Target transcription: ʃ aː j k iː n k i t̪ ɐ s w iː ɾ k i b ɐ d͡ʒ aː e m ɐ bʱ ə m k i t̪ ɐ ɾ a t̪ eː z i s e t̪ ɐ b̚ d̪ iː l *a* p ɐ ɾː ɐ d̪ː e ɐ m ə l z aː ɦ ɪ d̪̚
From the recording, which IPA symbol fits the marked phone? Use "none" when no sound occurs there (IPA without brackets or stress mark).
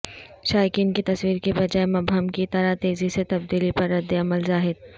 i